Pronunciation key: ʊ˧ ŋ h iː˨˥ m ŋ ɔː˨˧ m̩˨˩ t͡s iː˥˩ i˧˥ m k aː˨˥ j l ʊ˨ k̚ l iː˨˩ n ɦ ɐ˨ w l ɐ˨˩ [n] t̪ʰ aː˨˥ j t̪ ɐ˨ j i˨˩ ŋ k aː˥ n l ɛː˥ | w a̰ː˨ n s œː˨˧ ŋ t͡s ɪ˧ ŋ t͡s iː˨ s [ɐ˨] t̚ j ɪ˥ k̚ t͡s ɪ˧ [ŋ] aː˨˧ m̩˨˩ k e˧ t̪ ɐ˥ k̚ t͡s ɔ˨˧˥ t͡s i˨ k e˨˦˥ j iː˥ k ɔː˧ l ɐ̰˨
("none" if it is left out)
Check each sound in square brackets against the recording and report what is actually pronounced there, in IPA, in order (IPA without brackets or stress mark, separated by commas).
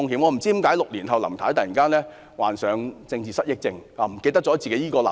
m, ɐ˥, ŋ